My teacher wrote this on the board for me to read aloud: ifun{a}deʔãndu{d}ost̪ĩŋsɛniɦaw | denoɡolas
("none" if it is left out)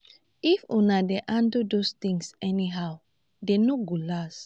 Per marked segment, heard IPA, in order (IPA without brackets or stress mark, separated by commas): a, d